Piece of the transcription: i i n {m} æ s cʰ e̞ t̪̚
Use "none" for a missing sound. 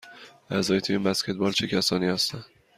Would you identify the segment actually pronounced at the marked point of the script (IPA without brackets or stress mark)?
b